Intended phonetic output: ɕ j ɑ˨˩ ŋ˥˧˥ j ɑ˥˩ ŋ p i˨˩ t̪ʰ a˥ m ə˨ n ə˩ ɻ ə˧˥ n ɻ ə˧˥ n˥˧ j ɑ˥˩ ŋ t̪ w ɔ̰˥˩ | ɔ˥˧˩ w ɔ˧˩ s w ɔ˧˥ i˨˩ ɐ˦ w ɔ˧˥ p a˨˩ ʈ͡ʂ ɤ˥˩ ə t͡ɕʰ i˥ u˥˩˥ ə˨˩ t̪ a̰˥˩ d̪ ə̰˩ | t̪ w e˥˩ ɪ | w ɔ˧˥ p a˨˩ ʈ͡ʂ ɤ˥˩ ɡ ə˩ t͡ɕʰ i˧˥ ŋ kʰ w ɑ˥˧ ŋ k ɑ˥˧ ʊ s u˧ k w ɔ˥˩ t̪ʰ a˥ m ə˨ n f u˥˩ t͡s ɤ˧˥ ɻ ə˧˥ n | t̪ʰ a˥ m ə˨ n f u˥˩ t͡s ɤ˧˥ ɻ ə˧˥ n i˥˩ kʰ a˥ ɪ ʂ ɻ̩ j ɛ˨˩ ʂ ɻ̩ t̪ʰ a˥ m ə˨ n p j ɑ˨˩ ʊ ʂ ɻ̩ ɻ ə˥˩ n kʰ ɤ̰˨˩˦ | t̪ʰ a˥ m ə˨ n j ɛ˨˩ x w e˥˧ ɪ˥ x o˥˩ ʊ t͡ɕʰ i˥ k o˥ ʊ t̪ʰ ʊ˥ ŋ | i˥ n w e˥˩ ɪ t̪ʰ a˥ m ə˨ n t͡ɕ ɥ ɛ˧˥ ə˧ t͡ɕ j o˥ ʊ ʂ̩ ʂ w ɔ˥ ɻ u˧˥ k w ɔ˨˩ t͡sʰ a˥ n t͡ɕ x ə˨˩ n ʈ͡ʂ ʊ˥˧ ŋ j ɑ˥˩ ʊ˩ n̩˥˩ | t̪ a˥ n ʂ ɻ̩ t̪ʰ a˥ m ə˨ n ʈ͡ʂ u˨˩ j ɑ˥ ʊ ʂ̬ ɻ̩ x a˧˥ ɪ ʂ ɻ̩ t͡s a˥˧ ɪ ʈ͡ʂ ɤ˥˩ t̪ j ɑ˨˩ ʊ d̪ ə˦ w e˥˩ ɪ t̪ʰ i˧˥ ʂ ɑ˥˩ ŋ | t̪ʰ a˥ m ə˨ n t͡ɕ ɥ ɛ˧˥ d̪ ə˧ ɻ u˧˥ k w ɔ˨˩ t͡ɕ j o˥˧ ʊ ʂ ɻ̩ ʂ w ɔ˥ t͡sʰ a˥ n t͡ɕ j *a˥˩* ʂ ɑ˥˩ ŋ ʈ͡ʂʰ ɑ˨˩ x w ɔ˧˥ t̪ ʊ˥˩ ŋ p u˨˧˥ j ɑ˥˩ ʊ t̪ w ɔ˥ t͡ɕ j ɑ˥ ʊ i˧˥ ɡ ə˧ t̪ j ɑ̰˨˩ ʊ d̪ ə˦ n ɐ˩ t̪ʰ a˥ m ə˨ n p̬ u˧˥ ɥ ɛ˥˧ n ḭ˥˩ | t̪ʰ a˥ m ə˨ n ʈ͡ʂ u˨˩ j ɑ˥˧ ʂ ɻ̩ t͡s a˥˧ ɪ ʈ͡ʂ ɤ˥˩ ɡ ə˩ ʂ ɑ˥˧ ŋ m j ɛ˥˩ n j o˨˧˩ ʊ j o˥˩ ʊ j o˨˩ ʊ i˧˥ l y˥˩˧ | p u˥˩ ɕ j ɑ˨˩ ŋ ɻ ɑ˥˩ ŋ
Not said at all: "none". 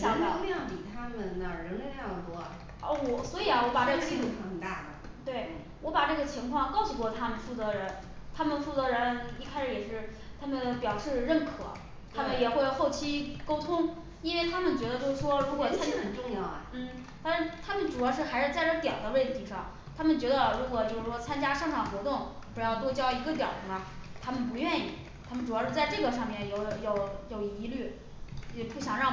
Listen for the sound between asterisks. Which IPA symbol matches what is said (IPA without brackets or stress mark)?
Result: a˥